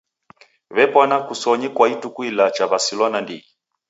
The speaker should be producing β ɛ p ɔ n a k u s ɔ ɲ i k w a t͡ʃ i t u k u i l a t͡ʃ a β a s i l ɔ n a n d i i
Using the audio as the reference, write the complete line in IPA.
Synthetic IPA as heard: β ɛ p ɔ n a k u s ɔ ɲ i k w a i t u k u i l a t͡ʃ a β a s i l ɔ n a n d i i